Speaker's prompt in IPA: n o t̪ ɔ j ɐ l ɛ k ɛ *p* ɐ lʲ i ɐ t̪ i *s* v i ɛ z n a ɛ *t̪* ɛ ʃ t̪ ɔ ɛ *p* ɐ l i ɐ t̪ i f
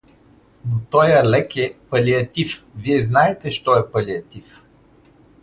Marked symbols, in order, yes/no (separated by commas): yes, no, yes, yes